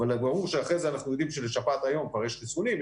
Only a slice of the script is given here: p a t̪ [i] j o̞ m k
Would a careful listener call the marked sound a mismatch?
yes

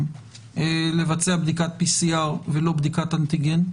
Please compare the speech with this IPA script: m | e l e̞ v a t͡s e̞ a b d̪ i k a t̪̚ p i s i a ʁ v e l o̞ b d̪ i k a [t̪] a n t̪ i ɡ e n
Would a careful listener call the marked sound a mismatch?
no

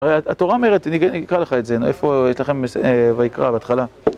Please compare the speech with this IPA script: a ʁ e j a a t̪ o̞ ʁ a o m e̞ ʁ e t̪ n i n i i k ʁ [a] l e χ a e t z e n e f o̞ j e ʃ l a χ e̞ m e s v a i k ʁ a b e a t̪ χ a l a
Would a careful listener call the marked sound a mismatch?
no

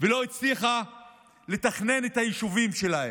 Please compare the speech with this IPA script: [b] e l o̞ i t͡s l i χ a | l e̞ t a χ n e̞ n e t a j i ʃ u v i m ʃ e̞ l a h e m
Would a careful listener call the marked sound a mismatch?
yes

